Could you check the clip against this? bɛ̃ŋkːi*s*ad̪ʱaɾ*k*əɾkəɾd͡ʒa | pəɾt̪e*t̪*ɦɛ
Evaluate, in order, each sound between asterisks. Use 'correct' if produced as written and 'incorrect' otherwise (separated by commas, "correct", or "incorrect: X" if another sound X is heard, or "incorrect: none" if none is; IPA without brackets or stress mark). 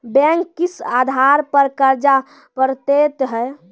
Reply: correct, incorrect: p, correct